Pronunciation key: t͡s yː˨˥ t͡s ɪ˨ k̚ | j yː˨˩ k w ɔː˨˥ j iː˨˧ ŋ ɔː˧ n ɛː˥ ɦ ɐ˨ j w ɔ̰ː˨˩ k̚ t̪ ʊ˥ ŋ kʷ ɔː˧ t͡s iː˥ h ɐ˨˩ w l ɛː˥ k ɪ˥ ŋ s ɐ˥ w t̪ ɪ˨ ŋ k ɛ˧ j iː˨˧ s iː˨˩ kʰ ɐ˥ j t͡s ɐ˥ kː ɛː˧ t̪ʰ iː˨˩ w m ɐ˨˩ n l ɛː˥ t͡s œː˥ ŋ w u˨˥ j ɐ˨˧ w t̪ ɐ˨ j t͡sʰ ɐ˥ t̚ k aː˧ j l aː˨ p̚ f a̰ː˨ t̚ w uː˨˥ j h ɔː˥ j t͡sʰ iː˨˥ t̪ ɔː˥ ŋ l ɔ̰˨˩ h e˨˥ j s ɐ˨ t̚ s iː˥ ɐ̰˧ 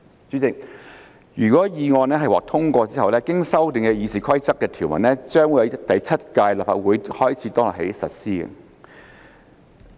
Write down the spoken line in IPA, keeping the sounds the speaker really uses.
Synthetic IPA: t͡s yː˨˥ t͡s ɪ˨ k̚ | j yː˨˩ k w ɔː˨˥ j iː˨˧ ŋ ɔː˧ n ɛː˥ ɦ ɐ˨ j w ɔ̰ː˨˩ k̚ t̪ʰ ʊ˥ ŋ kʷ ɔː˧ t͡s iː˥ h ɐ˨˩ w l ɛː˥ k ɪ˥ ŋ s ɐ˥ w t̪ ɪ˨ ŋ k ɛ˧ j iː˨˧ s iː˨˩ kʰ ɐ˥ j t͡s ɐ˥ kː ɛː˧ t̪ʰ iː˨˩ w m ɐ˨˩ n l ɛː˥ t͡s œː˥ ŋ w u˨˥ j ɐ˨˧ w t̪ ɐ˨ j t͡sʰ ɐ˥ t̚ k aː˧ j l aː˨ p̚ f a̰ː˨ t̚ w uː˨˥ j h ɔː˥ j t͡sʰ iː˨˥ t̪ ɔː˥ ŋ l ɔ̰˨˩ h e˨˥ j s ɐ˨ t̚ s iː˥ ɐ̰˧